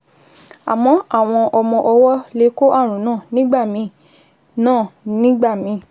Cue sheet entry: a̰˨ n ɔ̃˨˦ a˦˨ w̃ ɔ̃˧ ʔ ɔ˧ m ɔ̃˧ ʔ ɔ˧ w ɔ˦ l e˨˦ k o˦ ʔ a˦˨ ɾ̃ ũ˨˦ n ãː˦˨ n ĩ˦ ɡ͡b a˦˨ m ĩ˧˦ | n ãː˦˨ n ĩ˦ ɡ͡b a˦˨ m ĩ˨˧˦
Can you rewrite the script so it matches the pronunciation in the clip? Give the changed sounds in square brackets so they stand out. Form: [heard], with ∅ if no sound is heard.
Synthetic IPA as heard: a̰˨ [m] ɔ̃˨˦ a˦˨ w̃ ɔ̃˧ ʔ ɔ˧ m ɔ̃˧ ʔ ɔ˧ w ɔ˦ l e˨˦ k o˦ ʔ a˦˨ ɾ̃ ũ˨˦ n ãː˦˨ n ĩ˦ ɡ͡b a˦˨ m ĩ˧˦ | n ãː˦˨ n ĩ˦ ɡ͡b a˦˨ m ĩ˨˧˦